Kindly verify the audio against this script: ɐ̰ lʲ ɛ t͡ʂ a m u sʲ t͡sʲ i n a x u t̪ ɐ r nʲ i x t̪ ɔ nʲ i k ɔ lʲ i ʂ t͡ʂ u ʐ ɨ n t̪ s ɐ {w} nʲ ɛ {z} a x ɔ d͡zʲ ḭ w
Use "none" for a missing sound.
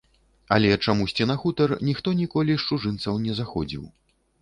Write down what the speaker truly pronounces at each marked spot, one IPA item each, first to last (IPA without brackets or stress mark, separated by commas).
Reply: w, z